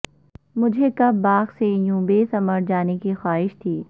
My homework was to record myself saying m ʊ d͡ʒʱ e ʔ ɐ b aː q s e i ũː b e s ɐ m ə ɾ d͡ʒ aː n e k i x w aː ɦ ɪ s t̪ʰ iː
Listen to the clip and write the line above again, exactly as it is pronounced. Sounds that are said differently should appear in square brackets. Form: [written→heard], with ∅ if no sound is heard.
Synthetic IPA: m ʊ d͡ʒʱ e [ʔ→k] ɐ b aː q s e [i→j] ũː b e s ɐ m ə ɾ d͡ʒ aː n e k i x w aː ɦ ɪ [s→ʃ] t̪ʰ iː